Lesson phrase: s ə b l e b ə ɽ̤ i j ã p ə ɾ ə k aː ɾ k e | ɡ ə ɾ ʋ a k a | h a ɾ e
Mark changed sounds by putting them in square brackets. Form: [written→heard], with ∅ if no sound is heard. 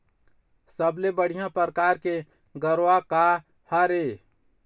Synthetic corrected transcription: s ə b l e b ə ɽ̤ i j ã p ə ɾ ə k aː ɾ k e | ɡ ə ɾ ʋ a k a | h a ɾ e